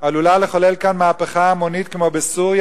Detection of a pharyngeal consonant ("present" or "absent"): absent